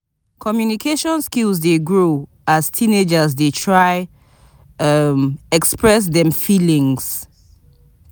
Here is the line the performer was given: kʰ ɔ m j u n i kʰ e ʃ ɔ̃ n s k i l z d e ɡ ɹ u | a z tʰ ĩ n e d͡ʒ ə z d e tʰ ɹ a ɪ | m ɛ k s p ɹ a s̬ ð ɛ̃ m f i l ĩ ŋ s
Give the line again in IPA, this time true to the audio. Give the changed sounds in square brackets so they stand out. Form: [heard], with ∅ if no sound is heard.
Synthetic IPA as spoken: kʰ ɔ m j u n i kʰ e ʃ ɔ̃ n s k i l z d e ɡ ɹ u | a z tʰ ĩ n e d͡ʒ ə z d e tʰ ɹ a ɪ | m ɛ k s p ɹ [ɛ] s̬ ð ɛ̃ m f i l ĩ ŋ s